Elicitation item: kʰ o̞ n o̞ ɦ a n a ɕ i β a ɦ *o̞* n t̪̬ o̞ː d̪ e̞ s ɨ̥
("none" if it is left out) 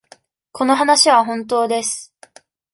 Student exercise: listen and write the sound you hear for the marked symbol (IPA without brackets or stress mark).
õ̞